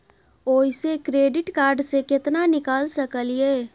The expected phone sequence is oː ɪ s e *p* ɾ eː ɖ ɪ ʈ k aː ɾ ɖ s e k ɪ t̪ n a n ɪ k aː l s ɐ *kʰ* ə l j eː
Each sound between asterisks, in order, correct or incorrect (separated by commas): incorrect, incorrect